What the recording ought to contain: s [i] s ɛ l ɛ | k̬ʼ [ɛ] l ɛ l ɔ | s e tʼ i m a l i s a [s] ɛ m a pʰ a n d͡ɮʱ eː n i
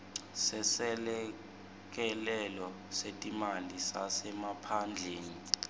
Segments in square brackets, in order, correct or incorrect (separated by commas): incorrect, correct, correct